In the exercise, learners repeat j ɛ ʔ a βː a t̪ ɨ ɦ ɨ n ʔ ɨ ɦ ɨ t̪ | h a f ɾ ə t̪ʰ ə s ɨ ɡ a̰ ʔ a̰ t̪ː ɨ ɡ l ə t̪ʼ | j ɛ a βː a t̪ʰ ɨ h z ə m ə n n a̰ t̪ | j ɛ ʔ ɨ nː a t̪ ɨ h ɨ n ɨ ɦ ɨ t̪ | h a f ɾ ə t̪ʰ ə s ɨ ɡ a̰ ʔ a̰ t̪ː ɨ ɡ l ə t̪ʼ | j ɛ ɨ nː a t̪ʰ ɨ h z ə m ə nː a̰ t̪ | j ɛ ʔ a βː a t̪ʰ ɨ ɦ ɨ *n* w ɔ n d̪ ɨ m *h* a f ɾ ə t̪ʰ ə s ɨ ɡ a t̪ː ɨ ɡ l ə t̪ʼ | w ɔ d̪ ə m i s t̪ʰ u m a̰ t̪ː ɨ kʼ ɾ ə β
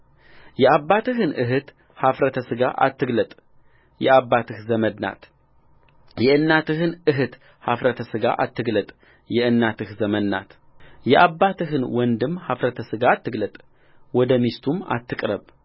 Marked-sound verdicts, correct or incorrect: correct, correct

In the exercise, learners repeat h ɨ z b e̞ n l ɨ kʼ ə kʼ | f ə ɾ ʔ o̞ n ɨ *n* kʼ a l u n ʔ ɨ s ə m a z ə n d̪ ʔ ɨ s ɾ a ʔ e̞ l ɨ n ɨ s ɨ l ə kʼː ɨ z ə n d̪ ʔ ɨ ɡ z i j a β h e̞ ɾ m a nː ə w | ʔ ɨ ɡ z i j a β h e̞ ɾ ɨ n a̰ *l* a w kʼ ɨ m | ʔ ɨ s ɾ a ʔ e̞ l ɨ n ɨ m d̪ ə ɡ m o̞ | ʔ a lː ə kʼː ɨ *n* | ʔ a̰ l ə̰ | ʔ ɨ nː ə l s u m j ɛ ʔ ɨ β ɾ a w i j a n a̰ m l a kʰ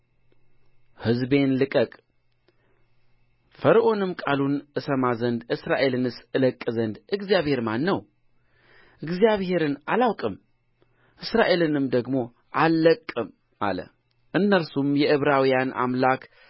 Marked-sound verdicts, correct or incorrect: incorrect: m, correct, incorrect: m

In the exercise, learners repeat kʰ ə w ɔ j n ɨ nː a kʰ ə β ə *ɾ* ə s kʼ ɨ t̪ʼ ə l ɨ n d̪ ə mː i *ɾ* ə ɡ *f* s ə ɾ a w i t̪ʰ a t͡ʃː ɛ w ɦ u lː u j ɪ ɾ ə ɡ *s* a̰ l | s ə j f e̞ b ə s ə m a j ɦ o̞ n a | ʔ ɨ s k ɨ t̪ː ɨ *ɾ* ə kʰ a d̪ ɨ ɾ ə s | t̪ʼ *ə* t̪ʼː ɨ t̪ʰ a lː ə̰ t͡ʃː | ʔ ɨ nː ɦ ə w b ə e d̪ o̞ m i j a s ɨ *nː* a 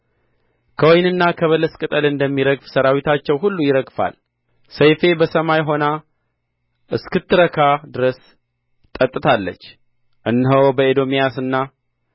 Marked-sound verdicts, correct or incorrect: incorrect: l, correct, correct, incorrect: f, correct, correct, correct

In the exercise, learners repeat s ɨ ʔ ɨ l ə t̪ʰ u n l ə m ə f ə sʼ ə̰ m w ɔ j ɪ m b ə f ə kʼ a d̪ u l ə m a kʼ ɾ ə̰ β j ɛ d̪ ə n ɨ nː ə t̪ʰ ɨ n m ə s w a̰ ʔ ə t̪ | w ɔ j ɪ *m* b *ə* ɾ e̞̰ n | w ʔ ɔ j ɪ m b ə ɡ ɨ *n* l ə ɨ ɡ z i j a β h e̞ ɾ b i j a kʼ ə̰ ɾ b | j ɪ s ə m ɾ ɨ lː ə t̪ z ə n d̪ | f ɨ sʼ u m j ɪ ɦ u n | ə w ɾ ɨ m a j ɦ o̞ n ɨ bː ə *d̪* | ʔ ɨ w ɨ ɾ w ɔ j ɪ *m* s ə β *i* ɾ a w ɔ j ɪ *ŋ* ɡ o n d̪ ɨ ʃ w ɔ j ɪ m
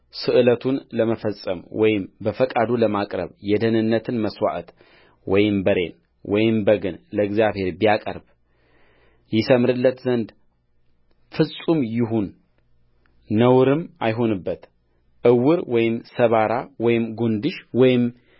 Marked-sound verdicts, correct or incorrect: correct, correct, correct, incorrect: t̪, correct, incorrect: a, incorrect: m

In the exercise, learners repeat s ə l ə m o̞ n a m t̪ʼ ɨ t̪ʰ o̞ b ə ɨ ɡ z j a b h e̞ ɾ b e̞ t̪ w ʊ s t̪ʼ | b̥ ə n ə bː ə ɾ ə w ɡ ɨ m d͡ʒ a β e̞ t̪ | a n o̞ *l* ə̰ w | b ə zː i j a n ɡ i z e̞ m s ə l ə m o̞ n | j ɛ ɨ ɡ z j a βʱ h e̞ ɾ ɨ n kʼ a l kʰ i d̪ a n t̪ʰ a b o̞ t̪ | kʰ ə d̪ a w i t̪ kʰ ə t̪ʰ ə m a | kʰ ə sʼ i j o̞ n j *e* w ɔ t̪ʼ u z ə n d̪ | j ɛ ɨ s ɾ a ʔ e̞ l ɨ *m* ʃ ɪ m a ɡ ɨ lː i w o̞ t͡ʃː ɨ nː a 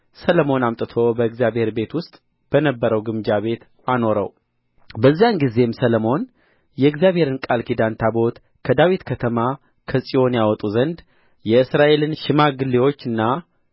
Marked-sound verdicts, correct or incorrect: incorrect: ɾ, incorrect: a, incorrect: n

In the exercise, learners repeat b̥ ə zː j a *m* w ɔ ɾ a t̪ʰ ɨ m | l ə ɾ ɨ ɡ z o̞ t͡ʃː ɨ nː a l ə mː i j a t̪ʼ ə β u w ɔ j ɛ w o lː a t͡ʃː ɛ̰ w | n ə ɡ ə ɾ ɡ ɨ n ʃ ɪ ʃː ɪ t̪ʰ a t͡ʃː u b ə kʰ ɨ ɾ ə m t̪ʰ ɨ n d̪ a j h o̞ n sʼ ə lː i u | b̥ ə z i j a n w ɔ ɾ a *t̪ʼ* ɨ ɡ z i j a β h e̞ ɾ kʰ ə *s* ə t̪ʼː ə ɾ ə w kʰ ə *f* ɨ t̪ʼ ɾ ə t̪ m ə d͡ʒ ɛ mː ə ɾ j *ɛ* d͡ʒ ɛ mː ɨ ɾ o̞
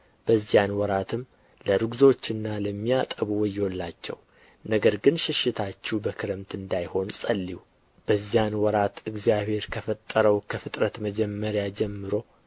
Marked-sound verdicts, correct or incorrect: incorrect: n, incorrect: t̪, incorrect: f, correct, incorrect: a

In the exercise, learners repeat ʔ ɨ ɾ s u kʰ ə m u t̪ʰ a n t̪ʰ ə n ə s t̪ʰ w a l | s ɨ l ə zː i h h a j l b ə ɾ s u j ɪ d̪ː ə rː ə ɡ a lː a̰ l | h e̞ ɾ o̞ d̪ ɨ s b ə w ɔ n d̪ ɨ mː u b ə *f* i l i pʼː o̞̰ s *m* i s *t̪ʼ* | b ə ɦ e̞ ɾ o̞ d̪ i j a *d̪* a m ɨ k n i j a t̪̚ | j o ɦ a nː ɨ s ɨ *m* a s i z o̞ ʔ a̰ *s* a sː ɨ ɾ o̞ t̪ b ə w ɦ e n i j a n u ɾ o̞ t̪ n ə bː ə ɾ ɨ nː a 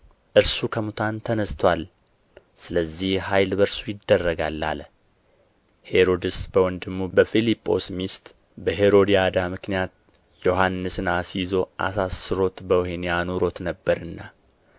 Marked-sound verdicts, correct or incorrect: correct, correct, incorrect: t̪, correct, incorrect: n, correct

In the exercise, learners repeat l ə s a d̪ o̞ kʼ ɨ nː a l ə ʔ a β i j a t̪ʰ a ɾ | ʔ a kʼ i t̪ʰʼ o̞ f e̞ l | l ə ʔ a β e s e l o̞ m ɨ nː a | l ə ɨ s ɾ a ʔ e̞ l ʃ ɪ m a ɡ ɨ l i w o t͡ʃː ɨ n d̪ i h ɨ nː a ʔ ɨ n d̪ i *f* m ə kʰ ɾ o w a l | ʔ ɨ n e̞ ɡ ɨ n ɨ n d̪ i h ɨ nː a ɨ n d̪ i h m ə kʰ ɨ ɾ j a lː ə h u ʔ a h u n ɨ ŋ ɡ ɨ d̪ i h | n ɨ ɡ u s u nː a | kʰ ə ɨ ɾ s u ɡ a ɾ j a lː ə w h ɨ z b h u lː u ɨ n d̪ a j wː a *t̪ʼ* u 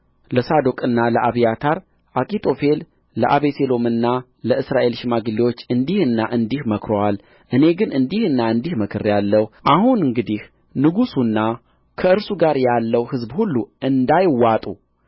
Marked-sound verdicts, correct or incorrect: incorrect: h, correct

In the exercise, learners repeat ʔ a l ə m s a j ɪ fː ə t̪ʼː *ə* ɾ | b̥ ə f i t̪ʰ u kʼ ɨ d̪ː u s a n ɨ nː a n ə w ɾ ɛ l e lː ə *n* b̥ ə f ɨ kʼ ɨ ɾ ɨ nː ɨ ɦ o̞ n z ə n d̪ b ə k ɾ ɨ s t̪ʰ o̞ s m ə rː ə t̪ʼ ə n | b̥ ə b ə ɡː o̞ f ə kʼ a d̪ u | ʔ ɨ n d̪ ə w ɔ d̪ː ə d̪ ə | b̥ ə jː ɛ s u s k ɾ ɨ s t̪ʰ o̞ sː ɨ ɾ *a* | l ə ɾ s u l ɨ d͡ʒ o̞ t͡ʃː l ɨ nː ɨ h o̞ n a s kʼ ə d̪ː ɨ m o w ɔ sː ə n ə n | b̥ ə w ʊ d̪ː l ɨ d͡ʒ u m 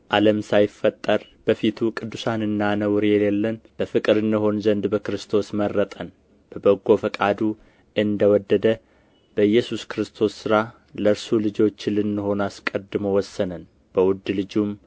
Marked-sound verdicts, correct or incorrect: correct, correct, correct

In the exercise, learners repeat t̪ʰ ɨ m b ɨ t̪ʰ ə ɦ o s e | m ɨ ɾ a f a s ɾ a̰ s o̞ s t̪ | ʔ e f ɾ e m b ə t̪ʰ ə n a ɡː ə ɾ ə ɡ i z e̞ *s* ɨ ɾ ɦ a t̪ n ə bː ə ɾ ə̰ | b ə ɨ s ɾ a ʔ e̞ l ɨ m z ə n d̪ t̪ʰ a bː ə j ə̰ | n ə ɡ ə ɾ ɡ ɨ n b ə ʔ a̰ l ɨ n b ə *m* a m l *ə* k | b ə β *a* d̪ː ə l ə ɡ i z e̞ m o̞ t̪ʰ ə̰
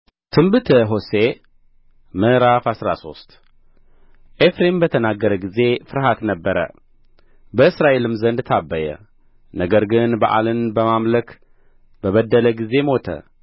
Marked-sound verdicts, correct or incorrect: incorrect: f, correct, correct, incorrect: ə

